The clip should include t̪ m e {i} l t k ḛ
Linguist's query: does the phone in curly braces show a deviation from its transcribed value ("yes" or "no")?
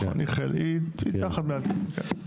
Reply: yes